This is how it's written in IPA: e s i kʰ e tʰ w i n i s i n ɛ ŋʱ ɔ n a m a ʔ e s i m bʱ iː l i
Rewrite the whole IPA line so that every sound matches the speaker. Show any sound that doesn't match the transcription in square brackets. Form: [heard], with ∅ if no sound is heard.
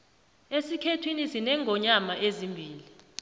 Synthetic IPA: e s i kʰ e tʰ w i n i s i n ɛ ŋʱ ɔ [ɲ] a m a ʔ e [z] i m bʱ iː l i